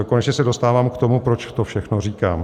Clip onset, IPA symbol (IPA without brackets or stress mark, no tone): k